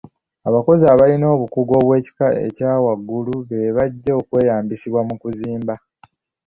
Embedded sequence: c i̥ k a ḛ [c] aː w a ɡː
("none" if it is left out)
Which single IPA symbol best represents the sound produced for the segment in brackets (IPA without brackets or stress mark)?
c